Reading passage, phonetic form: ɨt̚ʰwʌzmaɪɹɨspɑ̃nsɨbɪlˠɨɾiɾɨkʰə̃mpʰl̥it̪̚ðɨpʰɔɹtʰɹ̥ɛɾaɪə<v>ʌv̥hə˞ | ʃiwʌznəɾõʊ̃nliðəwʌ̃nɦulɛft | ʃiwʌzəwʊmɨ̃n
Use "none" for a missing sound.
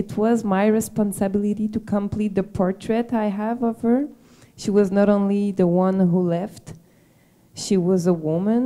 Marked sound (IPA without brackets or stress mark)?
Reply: v